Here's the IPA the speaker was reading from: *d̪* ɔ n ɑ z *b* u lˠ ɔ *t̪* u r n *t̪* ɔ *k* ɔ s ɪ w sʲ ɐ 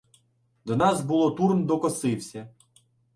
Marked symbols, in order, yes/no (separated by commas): yes, yes, yes, no, yes